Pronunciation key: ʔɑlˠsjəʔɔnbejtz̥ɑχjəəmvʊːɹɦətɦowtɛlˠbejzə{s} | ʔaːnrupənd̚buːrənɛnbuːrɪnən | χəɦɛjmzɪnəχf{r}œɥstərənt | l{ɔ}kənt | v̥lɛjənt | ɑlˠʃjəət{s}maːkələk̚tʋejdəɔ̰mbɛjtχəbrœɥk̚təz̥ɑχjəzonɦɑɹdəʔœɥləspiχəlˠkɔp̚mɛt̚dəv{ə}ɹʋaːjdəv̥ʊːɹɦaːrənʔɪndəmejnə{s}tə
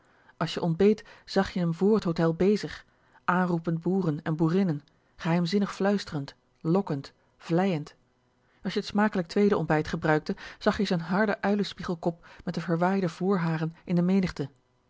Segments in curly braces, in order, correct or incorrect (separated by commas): incorrect, incorrect, correct, correct, correct, incorrect